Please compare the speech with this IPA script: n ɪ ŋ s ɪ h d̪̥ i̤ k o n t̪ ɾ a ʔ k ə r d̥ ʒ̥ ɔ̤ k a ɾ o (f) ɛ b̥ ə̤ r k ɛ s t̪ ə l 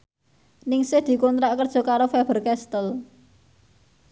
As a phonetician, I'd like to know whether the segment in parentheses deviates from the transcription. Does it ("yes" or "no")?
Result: no